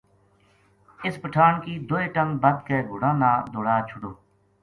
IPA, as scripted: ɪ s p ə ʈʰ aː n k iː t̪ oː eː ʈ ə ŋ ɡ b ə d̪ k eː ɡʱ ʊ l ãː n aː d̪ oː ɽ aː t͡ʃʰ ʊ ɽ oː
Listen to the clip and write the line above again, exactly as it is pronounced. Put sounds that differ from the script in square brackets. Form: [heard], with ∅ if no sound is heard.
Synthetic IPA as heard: ɪ s p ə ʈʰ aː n k iː [d̪] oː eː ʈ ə ŋ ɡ b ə d̪ k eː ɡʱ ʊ [ɽ] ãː n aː d̪ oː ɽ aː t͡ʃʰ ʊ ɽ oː